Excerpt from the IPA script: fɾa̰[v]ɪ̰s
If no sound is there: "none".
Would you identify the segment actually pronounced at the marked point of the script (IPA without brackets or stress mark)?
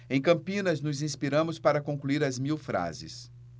z